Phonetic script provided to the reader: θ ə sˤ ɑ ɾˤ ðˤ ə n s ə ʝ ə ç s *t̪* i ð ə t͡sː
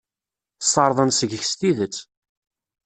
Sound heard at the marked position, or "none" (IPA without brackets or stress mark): t̪